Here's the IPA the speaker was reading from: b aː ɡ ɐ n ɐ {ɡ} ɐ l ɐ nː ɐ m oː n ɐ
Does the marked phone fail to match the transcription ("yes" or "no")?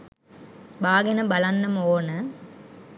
yes